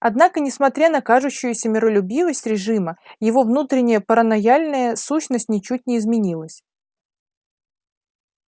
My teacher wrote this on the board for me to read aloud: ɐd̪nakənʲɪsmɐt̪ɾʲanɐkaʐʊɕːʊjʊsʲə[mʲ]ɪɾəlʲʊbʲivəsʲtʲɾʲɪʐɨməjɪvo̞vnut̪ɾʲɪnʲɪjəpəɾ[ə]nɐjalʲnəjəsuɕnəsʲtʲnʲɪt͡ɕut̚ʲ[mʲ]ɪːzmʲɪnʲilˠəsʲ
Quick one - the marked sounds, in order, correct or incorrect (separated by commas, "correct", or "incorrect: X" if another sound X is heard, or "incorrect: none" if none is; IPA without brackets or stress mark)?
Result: correct, correct, incorrect: nʲ